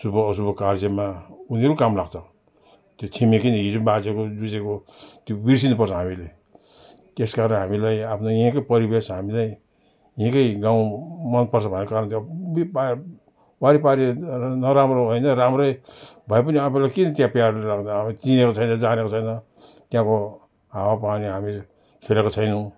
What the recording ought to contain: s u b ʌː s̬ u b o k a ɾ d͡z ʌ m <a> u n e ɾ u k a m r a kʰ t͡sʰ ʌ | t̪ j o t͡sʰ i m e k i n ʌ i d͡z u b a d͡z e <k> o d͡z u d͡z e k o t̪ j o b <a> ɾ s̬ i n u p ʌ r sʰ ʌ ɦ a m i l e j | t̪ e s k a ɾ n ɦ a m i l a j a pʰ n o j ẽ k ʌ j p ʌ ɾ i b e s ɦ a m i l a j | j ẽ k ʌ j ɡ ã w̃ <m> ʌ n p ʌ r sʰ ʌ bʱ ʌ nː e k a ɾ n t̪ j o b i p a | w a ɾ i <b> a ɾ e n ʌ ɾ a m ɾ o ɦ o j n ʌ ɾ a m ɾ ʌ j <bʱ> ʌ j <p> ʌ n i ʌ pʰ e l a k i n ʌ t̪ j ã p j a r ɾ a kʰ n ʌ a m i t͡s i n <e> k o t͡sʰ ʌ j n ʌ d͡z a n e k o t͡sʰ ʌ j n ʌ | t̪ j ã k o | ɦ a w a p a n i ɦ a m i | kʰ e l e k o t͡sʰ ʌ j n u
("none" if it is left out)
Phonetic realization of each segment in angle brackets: a, k, i, m, p, bʱ, p, e

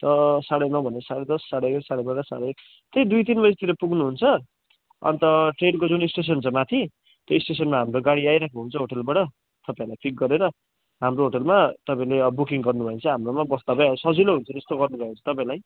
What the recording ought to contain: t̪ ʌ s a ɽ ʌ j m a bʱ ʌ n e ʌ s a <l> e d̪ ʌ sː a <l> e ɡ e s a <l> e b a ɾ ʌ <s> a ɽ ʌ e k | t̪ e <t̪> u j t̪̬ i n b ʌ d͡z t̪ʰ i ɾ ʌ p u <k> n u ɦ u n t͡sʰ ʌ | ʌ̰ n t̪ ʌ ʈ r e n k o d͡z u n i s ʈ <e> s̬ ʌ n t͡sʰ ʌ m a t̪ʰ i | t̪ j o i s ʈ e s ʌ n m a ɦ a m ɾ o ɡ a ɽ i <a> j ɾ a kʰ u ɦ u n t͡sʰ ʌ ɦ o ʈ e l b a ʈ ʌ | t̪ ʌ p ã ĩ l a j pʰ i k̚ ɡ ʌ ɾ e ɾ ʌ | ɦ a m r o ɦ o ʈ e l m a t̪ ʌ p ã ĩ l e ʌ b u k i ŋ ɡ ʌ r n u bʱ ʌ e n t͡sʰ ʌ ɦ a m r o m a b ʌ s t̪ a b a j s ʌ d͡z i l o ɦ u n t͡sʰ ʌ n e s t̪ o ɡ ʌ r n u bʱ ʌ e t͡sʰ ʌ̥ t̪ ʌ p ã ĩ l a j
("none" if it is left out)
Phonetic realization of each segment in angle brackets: ɽ, ɽ, ɽ, s, d̪, ɡ, e, a

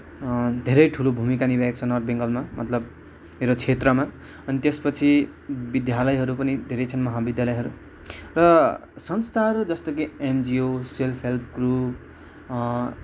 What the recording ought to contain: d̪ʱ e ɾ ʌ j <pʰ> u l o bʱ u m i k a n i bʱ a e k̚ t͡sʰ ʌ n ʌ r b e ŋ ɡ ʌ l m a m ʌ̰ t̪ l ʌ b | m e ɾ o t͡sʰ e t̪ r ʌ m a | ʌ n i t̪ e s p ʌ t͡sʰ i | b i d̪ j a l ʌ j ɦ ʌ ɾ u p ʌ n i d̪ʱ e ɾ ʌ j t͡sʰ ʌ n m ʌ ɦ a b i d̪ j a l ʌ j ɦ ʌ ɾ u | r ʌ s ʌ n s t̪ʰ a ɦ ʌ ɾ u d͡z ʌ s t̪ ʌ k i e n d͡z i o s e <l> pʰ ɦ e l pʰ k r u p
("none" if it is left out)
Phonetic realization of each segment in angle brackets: ʈʰ, l

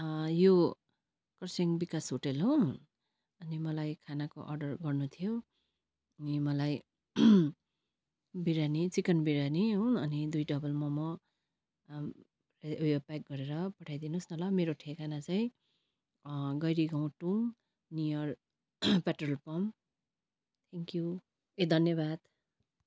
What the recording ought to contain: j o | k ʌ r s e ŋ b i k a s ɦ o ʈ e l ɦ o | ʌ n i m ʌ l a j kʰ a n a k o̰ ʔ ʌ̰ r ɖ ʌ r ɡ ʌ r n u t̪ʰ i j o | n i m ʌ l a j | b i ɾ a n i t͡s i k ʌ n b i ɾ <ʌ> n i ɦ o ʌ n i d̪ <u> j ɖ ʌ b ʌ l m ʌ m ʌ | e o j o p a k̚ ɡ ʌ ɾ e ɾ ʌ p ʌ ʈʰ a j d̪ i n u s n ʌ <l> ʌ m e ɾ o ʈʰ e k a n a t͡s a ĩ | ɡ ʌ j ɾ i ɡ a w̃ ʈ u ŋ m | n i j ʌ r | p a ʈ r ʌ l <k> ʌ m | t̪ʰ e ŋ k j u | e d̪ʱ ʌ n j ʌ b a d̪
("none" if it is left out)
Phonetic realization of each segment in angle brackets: a, u, l, p

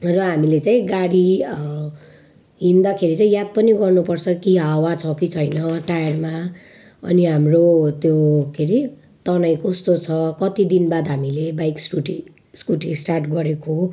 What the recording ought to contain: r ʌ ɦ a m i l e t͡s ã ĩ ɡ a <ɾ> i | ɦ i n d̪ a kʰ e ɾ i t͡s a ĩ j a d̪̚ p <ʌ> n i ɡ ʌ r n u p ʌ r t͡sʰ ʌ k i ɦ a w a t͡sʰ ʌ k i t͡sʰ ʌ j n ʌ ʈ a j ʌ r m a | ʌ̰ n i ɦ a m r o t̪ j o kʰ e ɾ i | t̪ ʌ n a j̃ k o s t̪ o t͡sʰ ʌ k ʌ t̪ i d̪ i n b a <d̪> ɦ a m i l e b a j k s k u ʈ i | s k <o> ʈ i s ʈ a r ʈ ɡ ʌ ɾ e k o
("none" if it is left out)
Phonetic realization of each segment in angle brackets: ɽ, ʌ, d̪, u

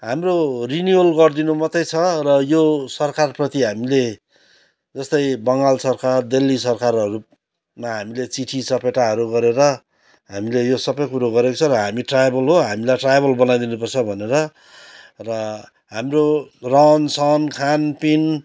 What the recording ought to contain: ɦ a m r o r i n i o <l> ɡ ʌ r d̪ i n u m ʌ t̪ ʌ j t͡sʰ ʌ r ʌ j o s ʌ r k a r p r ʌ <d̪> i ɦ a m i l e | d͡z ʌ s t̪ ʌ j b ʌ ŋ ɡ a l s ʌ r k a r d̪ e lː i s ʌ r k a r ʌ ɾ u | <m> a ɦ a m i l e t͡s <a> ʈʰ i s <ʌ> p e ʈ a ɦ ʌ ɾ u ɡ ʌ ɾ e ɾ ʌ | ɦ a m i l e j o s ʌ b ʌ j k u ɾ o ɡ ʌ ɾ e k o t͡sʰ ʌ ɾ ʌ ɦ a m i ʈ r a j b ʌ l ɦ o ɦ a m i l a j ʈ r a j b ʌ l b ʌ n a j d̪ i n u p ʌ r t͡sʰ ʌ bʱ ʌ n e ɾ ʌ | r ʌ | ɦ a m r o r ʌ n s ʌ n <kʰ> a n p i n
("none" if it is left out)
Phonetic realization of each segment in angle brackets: l, t̪, m, i, ʌ, kʰ

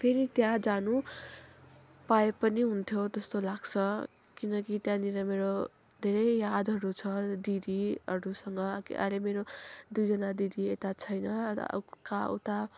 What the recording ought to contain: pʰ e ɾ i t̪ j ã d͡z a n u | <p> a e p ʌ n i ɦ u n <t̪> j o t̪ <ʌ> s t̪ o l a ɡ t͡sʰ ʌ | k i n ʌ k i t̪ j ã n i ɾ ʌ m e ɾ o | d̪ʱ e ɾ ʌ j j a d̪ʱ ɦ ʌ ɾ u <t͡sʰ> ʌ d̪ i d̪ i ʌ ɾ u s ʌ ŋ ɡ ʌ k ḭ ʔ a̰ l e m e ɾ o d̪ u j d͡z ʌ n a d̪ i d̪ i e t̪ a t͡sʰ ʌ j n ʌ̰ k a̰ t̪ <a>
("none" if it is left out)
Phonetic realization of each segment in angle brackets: p, t̪ʰ, ʌ, t͡sʰ, a

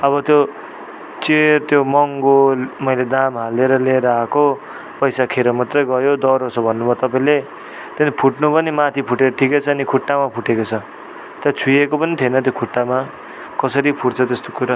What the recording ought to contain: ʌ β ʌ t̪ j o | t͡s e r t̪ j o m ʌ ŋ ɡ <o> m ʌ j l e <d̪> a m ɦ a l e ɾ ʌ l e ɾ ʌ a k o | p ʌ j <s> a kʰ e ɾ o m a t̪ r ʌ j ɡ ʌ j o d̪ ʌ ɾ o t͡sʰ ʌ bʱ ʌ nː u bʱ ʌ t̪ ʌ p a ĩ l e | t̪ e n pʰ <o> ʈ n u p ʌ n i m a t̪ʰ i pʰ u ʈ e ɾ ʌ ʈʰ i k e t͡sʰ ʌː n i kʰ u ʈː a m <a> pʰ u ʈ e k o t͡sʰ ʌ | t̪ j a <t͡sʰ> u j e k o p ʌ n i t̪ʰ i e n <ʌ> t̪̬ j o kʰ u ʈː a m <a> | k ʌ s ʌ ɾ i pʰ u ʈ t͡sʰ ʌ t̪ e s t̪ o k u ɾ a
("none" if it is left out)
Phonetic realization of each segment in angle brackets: o, d̪, s, u, a, t͡sʰ, ʌ, a

